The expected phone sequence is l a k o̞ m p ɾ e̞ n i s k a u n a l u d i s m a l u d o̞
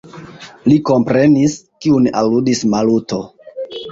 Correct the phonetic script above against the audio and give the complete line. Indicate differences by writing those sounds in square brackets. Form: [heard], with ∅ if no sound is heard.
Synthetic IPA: l [i] k o̞ m p ɾ e̞ n i s k [i] u n a l u d i s m a l u [t] o̞